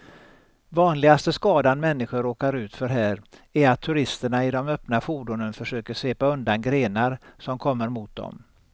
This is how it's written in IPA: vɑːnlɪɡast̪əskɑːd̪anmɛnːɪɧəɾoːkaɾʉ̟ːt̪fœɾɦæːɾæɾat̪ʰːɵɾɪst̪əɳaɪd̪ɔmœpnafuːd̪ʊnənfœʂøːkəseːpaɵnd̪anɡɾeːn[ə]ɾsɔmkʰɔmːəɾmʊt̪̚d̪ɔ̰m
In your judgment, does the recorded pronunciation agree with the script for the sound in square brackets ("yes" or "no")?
no